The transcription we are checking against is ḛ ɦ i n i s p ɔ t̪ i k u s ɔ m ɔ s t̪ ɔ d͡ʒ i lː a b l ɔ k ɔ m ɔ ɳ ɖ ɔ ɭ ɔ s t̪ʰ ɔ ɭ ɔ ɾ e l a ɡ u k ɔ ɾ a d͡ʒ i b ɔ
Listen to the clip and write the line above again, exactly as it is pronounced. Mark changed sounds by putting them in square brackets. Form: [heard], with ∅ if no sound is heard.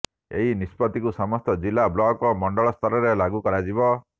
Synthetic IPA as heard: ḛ ɦ i n i s p ɔ t̪ i k u s ɔ m ɔ s t̪ ɔ d͡ʒ i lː a b l ɔ k ɔ m ɔ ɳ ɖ ɔ ɭ ɔ s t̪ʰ ɔ [ɾ] ɔ ɾ e l a ɡ u k ɔ ɾ a d͡ʒ i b ɔ